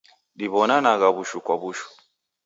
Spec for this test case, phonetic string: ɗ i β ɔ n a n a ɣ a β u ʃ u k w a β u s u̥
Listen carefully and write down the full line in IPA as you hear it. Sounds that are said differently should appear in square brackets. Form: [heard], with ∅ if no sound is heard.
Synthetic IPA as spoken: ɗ i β ɔ n a n a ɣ a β u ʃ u k w a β u [ʃ] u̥